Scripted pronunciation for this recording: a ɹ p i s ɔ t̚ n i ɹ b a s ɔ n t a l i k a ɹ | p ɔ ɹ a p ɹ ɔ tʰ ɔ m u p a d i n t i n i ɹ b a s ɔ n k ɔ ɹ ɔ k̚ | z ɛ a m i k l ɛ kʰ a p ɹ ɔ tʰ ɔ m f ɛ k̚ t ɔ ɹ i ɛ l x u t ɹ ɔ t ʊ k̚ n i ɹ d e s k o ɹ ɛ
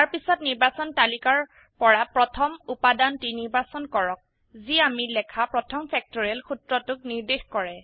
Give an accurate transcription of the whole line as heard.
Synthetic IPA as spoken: a ɹ p i s ɔ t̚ n i ɹ b a s ɔ n t a l i k a ɹ | p ɔ ɹ a p ɹ ɔ tʰ ɔ m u p a d a n t i n i ɹ b a s ɔ n k ɔ ɹ ɔ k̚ | z i a m i l ɛ kʰ a p ɹ ɔ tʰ ɔ m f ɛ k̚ t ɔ ɹ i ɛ l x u t ɹ ɔ t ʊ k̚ n i ɹ d e x k ɔ ɹ ɛ